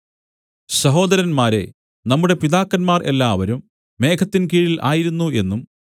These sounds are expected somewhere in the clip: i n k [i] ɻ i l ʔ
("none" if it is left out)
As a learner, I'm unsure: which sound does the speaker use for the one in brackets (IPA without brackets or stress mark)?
iː